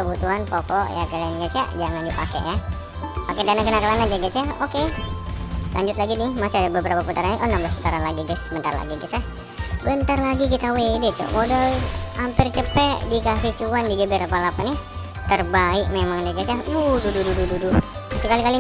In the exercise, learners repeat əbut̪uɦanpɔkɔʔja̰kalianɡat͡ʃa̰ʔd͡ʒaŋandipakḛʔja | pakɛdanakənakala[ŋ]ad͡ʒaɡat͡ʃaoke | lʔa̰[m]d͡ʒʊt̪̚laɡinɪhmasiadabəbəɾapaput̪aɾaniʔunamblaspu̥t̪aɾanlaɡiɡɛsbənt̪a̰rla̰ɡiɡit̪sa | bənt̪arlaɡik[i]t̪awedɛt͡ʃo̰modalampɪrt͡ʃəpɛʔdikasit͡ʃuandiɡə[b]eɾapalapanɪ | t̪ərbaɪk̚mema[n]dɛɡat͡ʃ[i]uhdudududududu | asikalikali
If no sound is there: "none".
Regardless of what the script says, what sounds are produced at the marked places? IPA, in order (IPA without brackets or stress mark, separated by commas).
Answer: n, ɲ, i, b, ŋ, a